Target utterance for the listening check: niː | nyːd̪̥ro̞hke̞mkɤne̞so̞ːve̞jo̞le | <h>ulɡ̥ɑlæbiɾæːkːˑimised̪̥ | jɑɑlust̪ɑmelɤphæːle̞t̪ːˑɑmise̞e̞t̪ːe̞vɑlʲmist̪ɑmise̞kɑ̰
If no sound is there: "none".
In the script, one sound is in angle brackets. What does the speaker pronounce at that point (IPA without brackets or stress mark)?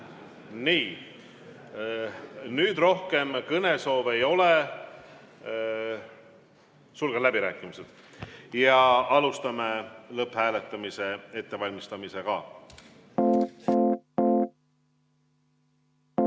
s